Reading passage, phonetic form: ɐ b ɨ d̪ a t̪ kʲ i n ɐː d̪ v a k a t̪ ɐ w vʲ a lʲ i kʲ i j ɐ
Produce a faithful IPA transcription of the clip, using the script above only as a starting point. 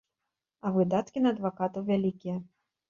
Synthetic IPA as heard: ɐ v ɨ d̪ a t̪ kʲ i n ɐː d̪ v a k a t̪ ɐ w vʲ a lʲ i kʲ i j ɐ